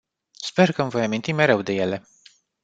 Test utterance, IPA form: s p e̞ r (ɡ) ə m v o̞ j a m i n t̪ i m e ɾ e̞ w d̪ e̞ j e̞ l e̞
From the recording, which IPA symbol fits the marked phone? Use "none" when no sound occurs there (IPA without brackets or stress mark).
k